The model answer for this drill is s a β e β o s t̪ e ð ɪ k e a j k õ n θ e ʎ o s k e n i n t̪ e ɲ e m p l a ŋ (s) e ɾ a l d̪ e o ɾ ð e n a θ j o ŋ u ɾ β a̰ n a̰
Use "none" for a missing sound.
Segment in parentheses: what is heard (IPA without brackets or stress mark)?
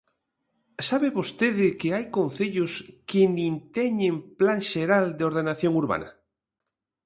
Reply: ʃ